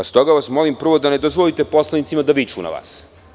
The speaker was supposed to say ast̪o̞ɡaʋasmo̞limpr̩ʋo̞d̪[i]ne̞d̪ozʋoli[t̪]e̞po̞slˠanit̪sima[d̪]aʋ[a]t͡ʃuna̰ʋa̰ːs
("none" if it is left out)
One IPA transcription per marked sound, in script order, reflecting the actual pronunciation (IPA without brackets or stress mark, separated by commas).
a, t̪, d̪, i